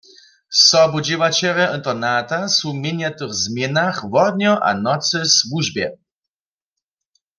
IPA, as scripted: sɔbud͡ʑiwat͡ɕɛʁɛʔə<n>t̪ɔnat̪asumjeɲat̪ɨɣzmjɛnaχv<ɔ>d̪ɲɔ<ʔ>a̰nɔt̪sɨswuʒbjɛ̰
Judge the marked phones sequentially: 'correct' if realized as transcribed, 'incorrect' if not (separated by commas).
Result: correct, correct, correct